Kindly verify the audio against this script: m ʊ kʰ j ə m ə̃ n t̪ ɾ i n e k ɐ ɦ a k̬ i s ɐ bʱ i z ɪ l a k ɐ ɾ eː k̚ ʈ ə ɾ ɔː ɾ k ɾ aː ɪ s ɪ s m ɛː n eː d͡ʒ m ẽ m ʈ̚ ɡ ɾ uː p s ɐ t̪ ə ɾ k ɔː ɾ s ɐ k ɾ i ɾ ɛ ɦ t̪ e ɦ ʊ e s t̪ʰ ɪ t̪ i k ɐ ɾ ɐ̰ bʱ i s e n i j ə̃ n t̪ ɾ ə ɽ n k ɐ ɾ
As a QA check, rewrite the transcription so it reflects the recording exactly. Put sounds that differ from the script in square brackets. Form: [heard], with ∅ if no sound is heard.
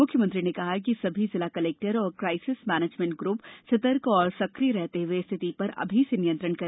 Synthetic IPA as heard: m ʊ kʰ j ə m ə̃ n t̪ ɾ i n e k ɐ ɦ a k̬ i s ɐ bʱ i z ɪ l a k ɐ [l] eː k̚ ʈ ə ɾ ɔː ɾ k ɾ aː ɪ s ɪ s m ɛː n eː d͡ʒ m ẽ [ɳ] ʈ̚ ɡ ɾ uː p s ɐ t̪ ə ɾ k ɔː ɾ s ɐ k ɾ i ɾ ɛ ɦ t̪ e ɦ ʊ e s t̪ʰ ɪ t̪ i [p] ɐ ɾ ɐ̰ bʱ i s e n i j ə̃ n t̪ ɾ ə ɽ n k ɐ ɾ